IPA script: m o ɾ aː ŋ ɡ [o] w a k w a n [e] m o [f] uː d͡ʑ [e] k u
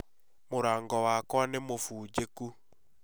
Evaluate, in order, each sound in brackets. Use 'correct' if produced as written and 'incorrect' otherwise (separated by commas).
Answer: incorrect, correct, correct, correct